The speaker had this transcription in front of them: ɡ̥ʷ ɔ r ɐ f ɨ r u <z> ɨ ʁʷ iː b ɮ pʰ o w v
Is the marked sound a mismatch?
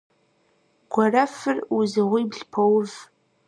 no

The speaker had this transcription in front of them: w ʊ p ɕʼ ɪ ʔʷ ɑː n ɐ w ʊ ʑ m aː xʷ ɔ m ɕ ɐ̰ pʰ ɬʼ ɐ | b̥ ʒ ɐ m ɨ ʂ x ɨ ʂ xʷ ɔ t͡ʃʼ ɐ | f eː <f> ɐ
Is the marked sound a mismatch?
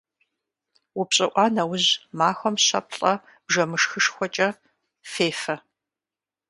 no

